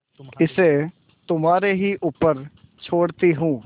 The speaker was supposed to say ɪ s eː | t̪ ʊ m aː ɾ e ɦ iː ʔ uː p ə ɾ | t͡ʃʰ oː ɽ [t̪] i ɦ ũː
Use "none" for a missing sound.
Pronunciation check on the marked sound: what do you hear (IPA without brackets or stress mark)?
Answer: t̪